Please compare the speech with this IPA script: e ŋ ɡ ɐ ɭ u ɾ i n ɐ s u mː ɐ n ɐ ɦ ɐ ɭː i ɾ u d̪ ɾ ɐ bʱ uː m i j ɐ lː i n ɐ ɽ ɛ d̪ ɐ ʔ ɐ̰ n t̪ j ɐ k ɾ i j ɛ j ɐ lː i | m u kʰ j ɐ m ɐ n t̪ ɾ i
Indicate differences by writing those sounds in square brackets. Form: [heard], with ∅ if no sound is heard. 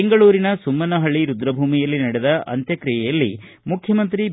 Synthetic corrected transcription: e ŋ ɡ ɐ ɭ [uː] ɾ i n ɐ s u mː ɐ n ɐ ɦ ɐ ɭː i ɾ u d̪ ɾ ɐ bʱ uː m i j ɐ lː i n ɐ ɽ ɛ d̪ ɐ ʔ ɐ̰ n t̪ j ɐ k ɾ i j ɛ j ɐ lː i | m u kʰ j ɐ m ɐ n t̪ ɾ i